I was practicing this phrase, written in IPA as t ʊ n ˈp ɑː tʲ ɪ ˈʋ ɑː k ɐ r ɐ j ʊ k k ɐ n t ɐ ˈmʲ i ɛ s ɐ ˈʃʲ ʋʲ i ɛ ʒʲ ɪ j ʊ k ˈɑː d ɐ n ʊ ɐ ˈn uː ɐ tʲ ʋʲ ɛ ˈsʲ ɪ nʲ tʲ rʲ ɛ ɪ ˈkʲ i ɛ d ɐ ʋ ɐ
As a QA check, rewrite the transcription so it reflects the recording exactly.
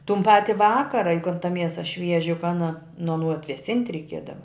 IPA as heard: t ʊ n ˈp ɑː tʲ ɪ ˈʋ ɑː k ɐ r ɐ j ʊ k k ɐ n t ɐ ˈmʲ i ɛ s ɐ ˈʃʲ ʋʲ i ɛ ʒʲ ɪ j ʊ k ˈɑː n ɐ n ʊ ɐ ˈn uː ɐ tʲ ʋʲ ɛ ˈsʲ ɪ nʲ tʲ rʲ ɛ ɪ ˈkʲ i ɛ d ɐ ʋ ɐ